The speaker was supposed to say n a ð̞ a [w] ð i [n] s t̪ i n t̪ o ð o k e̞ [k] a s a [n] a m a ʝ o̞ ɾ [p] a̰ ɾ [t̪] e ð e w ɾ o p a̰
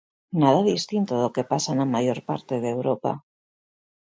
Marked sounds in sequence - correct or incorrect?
incorrect: none, incorrect: none, incorrect: p, correct, correct, correct

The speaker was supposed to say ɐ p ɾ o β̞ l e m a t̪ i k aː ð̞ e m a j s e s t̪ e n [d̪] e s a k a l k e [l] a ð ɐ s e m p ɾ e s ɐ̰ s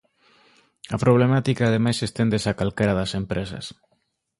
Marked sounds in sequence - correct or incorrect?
correct, incorrect: ɾ

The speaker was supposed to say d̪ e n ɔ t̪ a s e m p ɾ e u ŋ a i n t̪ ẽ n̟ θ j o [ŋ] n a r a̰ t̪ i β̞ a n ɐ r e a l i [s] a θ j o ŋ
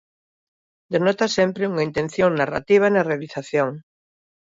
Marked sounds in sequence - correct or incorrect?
correct, incorrect: θ

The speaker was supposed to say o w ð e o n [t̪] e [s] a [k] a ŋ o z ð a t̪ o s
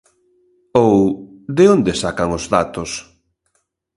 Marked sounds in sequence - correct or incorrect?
incorrect: d̪, correct, correct

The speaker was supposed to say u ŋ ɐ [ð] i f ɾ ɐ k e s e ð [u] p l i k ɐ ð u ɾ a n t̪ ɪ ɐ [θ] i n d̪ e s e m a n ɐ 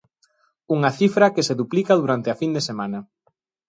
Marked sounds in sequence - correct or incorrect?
incorrect: θ, correct, incorrect: f

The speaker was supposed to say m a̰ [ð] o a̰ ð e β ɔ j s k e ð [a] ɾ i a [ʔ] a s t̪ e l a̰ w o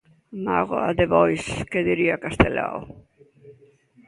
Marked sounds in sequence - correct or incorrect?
incorrect: ɣ, incorrect: i, incorrect: k

